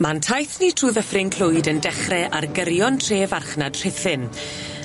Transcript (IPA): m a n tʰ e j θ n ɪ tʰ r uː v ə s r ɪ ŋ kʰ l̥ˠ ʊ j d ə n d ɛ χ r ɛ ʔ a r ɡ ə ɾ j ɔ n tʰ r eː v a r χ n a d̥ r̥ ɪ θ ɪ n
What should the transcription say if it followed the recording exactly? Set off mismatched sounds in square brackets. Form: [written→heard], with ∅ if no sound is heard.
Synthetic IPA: m a n tʰ [e→a] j θ n [ɪ→i] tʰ r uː [v→ð] ə [s→f] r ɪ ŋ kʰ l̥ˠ ʊ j d ə n d ɛ χ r ɛ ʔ a r ɡ ə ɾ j ɔ n tʰ r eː v a r χ n a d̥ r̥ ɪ θ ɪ n